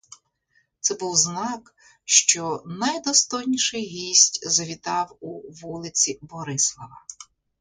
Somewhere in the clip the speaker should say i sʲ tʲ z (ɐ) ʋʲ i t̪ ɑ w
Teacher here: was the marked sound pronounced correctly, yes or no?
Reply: yes